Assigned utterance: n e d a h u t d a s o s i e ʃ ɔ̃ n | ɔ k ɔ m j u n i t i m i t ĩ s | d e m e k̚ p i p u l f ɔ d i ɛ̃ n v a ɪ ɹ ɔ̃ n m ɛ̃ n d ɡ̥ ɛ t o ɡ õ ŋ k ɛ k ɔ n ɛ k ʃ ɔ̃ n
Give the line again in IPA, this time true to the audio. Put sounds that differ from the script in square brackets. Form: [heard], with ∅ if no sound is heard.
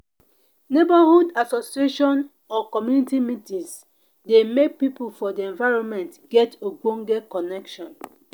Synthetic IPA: n e [b] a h u [∅] d a s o s i e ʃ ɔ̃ n | ɔ k ɔ m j u n i t i m i t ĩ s | d e m e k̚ p i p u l f ɔ d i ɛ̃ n v a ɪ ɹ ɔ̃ n m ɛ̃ n [t] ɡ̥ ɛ t o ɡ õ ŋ [ɡ] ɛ k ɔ n ɛ k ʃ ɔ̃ n